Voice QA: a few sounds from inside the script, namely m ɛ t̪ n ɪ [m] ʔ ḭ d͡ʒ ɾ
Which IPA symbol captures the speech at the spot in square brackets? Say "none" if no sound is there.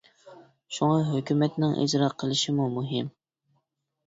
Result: ŋ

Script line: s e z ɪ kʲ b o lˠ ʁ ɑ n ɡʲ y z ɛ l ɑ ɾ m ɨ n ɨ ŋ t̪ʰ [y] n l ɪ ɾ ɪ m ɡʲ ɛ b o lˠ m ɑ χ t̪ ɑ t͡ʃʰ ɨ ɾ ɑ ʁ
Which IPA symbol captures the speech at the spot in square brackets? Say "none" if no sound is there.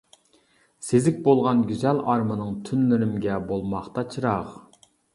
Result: y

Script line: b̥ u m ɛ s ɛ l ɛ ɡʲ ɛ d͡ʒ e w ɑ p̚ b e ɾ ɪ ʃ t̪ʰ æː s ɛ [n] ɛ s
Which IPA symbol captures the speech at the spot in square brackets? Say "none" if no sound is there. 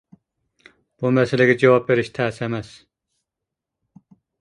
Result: m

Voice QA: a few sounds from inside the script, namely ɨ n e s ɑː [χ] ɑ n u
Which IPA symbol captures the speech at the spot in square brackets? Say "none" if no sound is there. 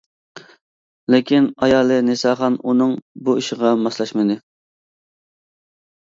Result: χ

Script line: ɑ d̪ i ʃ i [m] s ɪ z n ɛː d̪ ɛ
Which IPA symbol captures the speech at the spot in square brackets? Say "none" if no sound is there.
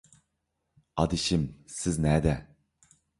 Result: m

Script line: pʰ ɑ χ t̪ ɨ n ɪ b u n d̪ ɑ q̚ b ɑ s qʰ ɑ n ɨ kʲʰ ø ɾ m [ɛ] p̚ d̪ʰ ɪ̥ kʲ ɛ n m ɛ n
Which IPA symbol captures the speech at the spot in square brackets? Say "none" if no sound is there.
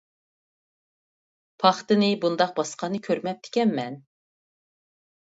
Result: ɛ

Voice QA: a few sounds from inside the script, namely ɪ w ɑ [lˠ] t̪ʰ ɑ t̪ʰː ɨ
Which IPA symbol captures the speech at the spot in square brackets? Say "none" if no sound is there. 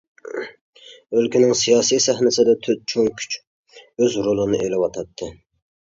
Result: none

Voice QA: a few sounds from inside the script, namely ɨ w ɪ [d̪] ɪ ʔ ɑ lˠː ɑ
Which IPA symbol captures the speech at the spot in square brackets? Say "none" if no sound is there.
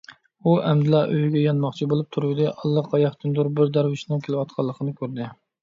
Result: d̪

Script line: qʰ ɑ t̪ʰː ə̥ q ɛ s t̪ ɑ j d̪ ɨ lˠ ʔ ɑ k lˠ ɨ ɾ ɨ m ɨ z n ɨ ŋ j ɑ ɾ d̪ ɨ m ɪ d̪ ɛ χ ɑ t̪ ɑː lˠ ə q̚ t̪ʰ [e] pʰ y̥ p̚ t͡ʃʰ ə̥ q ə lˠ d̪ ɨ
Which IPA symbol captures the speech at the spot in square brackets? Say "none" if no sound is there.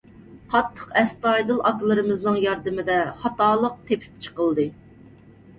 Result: e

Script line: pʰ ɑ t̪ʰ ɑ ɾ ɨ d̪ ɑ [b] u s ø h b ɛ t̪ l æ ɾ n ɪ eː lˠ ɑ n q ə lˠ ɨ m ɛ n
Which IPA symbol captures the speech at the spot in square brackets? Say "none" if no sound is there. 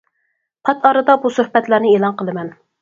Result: b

